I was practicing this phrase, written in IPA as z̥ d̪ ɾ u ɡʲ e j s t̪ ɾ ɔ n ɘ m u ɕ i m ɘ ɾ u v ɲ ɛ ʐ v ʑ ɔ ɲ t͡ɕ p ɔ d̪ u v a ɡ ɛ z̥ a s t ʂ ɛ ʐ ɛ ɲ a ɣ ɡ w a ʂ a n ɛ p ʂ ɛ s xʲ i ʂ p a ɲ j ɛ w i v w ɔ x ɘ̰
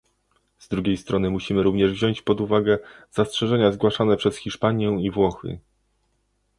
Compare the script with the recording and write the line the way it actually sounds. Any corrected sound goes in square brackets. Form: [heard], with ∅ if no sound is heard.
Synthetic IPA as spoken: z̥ d̪ ɾ u ɡʲ e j s t̪ ɾ ɔ n ɘ m u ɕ i m ɘ ɾ u v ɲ ɛ ʐ v ʑ ɔ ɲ t͡ɕ p ɔ d̪ u v a ɡ ɛ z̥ a s t ʂ ɛ ʐ ɛ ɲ a [z] ɡ w a ʂ a n ɛ p ʂ ɛ s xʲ i ʂ p a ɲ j ɛ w i v w ɔ x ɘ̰